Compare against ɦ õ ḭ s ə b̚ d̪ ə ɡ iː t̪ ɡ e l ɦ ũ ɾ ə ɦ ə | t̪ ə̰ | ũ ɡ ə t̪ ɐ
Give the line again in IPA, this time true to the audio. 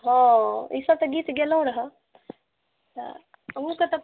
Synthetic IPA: ɦ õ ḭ s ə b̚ t̪ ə ɡ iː t̪ ɡ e l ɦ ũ ɾ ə ɦ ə | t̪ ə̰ | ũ k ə t̪ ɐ